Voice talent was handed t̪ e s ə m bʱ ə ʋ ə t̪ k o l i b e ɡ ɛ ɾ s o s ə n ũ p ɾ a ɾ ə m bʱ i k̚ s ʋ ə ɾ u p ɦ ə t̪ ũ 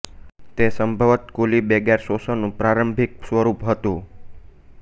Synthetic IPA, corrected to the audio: t̪ e s ə m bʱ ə ʋ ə t̪ k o l i b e ɡ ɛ ɾ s o s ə n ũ p ɾ a ɾ ə m bʱ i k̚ s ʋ ə ɾ u p ɦ ə t̪ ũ